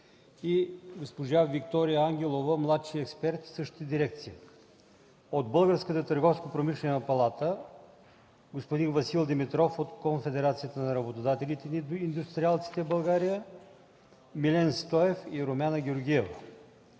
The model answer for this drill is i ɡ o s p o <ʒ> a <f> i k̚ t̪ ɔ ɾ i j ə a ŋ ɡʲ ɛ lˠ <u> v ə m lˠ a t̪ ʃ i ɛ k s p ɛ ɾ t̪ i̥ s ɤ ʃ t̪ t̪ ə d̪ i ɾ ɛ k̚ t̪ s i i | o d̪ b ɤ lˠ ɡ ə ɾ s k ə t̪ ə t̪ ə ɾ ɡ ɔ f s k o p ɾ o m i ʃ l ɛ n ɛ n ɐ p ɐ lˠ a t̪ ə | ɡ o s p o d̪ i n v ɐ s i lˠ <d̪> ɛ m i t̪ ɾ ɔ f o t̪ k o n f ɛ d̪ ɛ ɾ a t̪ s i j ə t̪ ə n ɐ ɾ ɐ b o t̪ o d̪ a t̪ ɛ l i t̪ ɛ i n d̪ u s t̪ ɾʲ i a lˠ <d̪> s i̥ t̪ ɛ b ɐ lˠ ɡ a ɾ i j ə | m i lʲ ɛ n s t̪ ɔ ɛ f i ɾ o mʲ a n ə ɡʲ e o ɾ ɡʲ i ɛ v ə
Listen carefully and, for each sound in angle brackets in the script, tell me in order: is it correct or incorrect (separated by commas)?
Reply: correct, incorrect, incorrect, correct, incorrect